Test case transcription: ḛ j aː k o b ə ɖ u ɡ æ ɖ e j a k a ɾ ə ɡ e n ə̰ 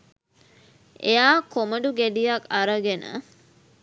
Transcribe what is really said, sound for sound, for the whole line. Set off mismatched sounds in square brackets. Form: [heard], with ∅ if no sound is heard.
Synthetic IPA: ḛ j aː k o [m] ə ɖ u ɡ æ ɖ [i] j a k a ɾ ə ɡ e n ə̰